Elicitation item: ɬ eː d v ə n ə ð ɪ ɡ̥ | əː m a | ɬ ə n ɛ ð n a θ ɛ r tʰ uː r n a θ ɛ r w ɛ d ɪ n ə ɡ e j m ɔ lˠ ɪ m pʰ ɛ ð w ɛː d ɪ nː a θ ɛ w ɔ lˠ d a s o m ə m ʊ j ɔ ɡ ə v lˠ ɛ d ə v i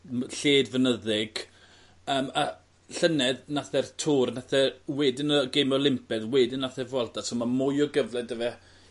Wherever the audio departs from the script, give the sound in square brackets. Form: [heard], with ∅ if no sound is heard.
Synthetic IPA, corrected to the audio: ɬ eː d v ə n ə ð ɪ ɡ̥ | əː m a | ɬ ə n ɛ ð n a θ ɛ r tʰ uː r n a θ ɛ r w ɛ d ɪ n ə ɡ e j m ɔ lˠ ɪ m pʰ ɛ ð w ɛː d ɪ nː a θ ɛ [v] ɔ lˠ d a s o m [a] m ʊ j ɔ ɡ ə v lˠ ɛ d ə v [ɛ]

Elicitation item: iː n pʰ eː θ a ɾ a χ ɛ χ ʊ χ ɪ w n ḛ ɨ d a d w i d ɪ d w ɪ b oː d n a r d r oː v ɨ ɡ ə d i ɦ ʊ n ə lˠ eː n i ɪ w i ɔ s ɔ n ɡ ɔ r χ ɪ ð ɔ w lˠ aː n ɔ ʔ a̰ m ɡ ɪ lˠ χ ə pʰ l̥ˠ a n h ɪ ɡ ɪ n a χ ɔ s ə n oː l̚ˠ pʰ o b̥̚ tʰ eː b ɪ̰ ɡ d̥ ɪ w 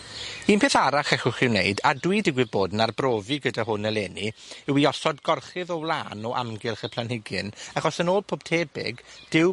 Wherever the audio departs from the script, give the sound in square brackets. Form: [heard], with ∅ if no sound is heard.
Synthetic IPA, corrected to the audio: iː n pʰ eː θ a ɾ a χ ɛ χ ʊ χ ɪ w n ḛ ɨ d a d w i d ɪ [ɡ] w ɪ b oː d n a r [b] r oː v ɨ ɡ ə d [a] ɦ ʊ n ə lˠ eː n i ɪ w i ɔ s ɔ [d] ɡ ɔ r χ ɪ ð ɔ w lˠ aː n ɔ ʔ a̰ m ɡ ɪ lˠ χ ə pʰ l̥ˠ a n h ɪ ɡ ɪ n a χ ɔ s ə n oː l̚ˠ pʰ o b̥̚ tʰ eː b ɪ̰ ɡ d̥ ɪ w

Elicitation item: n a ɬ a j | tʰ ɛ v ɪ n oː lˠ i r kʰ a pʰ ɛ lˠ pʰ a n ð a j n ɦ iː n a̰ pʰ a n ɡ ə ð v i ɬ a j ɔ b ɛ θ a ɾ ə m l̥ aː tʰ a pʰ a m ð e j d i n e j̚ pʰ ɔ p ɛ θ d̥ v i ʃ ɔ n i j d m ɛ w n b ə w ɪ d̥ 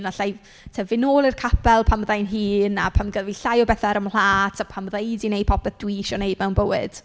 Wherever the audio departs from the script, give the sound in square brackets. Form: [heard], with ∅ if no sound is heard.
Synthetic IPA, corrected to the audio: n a ɬ a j | tʰ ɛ v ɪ n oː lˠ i r kʰ a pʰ ɛ lˠ pʰ a [m] ð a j n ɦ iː n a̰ pʰ a [m] ɡ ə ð v i ɬ a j ɔ b ɛ θ a ɾ ə m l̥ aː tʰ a pʰ a m ð e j d i n e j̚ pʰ ɔ p ɛ θ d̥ [w] i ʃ ɔ n [e] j d m ɛ w n b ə w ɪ d̥

